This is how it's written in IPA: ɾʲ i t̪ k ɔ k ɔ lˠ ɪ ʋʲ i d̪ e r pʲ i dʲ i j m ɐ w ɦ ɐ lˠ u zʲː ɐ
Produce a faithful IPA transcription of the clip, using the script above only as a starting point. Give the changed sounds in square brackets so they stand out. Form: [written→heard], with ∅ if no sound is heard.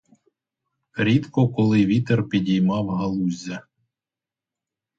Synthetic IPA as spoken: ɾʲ i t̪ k ɔ k ɔ lˠ ɪ ʋʲ i [d̪→t̪] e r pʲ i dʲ i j m [ɐ→ɑ] w ɦ ɐ lˠ u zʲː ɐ